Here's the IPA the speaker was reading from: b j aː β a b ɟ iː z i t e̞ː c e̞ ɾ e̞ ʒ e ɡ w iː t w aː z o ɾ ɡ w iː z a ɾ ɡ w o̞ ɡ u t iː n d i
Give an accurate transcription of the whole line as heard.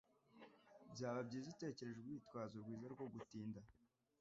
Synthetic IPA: b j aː β a b ɟ iː z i t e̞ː c e̞ ɾ e̞ ʒ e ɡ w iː t w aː z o ɾ ɡ w iː z a ɾ ɡ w o̞ ɡ u t iː n d a